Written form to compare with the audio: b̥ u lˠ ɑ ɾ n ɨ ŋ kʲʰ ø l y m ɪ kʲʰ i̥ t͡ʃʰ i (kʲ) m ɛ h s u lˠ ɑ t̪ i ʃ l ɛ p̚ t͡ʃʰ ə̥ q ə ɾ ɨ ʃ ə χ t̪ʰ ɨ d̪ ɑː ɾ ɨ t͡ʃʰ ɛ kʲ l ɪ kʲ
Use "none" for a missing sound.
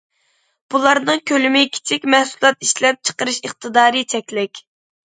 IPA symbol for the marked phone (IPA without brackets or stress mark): kʲ